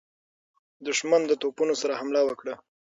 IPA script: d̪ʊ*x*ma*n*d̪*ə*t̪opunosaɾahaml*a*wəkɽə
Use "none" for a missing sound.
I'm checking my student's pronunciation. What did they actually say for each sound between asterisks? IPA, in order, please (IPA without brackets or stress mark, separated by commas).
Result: ʃ, n, ə, a